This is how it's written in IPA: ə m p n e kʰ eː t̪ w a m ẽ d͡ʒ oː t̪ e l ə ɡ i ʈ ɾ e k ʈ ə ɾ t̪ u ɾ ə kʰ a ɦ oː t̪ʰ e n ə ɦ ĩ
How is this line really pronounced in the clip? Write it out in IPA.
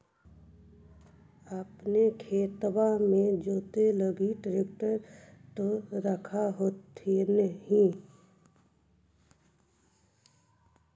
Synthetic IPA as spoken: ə p n e kʰ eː t̪ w a m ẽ d͡ʒ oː t̪ e l ə ɡ i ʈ ɾ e k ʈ ə ɾ t̪ o ɾ ə kʰ a ɦ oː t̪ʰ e n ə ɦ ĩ

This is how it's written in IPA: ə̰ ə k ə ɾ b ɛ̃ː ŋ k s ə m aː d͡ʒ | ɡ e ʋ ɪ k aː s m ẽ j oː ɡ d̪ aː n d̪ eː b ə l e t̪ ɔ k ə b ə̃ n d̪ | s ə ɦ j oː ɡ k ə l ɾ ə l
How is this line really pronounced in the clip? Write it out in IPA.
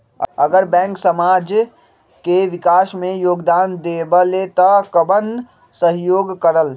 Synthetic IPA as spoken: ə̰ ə ɡ ə ɾ b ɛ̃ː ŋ k s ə m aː d͡ʒ | k e ʋ ɪ k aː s m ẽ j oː ɡ d̪ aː n d̪ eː b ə l e t̪ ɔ k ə b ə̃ n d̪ | s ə ɦ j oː ɡ k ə ɾ ə l

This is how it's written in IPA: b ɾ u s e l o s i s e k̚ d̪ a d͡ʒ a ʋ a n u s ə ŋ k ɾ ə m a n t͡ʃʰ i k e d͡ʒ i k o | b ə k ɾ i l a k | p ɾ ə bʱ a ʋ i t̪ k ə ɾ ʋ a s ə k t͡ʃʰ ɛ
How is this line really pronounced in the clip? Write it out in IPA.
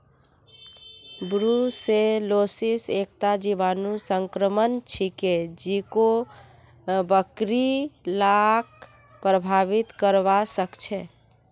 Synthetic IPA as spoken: b ɾ u s e l o s i s e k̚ t̪ a d͡ʒ i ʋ a n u s ə ŋ k ɾ ə m ə n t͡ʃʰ i k e d͡ʒ i k o | b ə k ɾ i l a k | p ɾ ə bʱ a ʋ i t̪ k ə ɾ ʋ a s ə k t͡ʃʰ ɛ

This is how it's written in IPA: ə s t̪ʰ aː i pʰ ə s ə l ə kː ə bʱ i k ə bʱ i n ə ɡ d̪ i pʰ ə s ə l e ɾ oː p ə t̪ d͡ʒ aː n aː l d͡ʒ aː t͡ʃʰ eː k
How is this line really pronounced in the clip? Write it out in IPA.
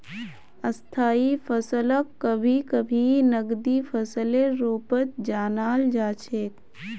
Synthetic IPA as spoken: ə s t̪ʰ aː i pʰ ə s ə l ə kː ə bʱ i k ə bʱ i n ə ɡ d̪ i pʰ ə s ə l e ɾ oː p ə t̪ d͡ʒ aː n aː l d͡ʒ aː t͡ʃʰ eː k

